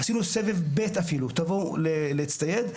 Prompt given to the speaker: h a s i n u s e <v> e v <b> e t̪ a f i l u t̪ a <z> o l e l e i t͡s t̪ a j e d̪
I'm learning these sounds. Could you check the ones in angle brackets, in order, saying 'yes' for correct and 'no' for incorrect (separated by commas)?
yes, yes, no